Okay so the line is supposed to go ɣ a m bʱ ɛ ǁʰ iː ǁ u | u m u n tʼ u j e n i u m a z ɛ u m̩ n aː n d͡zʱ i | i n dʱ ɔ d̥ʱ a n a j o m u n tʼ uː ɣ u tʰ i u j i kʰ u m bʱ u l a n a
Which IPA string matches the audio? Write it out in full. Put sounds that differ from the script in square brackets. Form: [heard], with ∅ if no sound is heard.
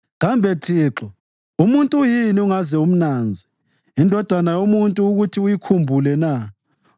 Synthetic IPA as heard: ɣ a m bʱ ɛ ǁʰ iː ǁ [ɔ] | u m u n tʼ u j [i] n i u [ŋ] a z ɛ u m̩ n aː n d͡zʱ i | i n dʱ ɔ d̥ʱ a n a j o m u n tʼ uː ɣ u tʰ i u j i kʰ u m bʱ u l [ɛ] n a